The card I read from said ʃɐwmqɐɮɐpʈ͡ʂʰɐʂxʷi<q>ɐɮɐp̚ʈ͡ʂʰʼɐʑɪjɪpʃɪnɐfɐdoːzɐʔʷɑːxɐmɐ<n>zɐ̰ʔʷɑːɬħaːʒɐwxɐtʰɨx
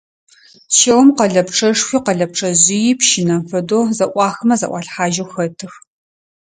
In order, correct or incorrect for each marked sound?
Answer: correct, incorrect: none

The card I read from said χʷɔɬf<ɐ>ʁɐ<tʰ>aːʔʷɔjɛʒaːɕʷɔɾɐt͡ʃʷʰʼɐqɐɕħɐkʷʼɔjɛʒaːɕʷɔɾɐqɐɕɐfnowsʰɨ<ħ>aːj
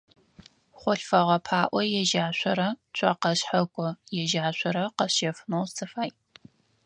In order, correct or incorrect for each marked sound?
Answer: correct, incorrect: pʰ, incorrect: f

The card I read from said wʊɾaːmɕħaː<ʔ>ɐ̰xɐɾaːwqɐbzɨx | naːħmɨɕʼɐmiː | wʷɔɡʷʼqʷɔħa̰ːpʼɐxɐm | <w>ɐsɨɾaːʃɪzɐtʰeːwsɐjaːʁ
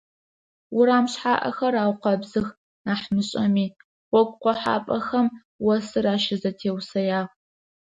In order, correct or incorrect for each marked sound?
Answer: correct, correct

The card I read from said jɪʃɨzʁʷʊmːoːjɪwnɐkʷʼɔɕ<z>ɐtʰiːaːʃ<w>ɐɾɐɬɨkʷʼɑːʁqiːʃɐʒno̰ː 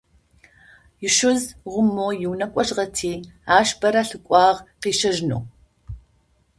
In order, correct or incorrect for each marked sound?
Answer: incorrect: ʁ, incorrect: b

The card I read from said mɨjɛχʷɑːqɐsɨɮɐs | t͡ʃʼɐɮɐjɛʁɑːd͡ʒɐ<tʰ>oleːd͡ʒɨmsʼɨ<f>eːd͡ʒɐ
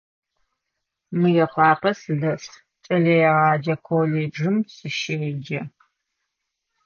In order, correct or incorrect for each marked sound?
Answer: incorrect: kʰ, incorrect: ʃ

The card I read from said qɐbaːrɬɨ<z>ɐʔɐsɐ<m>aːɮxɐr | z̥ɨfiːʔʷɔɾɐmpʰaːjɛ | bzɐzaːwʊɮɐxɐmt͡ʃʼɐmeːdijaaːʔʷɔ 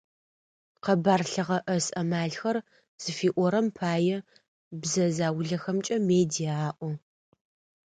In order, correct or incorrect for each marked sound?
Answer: incorrect: ʁ, correct

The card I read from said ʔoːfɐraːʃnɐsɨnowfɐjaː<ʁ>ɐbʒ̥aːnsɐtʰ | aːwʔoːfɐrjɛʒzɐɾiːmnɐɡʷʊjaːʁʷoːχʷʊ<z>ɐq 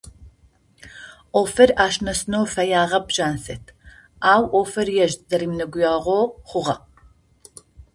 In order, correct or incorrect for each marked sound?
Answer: correct, incorrect: ʁ

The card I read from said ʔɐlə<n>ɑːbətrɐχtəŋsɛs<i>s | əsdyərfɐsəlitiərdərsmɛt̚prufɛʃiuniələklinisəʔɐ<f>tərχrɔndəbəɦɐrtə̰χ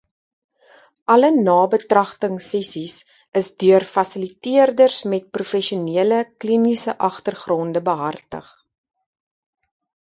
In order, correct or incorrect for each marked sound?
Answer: correct, correct, incorrect: χ

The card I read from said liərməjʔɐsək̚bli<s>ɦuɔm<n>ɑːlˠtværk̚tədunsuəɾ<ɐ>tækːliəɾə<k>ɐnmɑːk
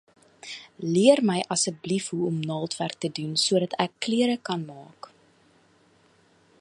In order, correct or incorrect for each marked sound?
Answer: incorrect: f, correct, correct, correct

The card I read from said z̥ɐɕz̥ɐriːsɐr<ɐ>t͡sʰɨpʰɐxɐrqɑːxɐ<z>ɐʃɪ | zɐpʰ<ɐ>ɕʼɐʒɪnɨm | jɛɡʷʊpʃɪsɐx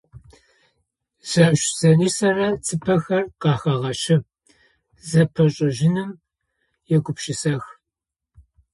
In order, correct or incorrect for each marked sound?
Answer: correct, incorrect: ʁ, correct

